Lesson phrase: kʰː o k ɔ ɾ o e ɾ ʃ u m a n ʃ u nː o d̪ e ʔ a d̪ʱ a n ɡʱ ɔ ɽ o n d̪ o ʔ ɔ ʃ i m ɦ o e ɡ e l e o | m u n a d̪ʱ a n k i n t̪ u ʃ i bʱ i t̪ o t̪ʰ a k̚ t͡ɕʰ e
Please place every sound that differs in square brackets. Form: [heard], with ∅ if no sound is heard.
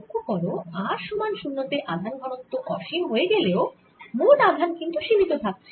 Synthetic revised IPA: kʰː o k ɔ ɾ o [a] ɾ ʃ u m a n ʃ u nː o [t̪] e ʔ a d̪ʱ a n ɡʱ ɔ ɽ o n [t̪] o ʔ ɔ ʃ i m ɦ o e ɡ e l e o | m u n a d̪ʱ a n k i n t̪ u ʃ i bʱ i t̪ o t̪ʰ a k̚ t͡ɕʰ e